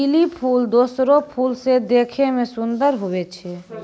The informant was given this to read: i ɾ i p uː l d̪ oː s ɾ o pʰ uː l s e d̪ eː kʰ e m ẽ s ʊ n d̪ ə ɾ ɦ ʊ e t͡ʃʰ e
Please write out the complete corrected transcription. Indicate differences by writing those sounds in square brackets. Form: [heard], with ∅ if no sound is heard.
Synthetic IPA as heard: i [l] i [pʰ] uː l d̪ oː s ɾ o pʰ uː l s e d̪ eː kʰ e m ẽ s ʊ n d̪ ə ɾ ɦ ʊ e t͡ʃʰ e